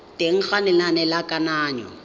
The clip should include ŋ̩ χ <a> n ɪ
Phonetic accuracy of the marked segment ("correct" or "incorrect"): correct